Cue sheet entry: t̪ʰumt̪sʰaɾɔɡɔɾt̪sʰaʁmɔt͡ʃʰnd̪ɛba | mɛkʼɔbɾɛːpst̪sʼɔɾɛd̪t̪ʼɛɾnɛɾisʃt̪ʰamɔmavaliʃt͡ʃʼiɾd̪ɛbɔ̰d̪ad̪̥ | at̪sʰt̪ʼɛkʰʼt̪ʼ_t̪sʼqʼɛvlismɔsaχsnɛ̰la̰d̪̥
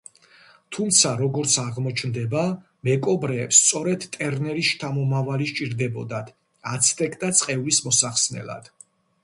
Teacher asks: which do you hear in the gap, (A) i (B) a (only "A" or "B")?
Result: B